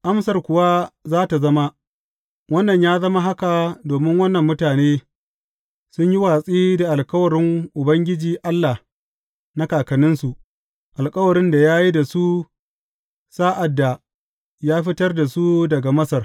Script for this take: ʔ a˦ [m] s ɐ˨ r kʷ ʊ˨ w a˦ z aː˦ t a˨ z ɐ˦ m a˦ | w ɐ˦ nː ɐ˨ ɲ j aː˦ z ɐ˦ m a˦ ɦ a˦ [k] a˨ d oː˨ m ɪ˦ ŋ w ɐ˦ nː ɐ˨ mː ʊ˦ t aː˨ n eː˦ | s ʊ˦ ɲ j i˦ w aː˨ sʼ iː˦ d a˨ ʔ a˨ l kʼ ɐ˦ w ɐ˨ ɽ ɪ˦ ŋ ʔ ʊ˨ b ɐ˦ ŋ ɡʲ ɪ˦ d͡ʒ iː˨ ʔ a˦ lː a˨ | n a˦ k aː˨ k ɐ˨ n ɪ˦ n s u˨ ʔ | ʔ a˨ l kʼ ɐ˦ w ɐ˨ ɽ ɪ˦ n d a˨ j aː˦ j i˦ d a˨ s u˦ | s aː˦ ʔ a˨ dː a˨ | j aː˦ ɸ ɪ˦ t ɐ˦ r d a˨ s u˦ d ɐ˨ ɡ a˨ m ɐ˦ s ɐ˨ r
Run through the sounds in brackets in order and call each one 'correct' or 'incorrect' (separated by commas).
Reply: correct, correct